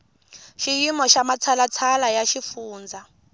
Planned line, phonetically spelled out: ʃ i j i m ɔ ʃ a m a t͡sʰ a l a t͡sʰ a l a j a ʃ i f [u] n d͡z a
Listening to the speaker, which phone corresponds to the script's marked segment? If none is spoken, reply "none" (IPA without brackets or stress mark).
uː